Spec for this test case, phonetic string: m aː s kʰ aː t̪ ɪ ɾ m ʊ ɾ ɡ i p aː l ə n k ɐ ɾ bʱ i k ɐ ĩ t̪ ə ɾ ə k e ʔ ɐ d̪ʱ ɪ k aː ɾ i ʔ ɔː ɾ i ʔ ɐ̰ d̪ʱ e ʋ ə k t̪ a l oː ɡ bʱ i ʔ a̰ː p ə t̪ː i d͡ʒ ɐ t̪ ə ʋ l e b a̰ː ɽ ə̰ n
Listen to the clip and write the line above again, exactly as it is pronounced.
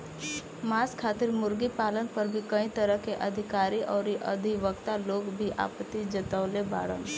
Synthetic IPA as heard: m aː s kʰ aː t̪ ɪ ɾ m ʊ ɾ ɡ i p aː l ə n p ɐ ɾ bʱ i k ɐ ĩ t̪ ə ɾ ə k e ʔ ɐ d̪ʱ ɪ k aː ɾ i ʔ ɔː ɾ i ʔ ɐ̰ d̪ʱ i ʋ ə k t̪ a l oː ɡ bʱ i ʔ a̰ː p ə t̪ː i d͡ʒ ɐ t̪ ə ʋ l e b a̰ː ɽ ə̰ n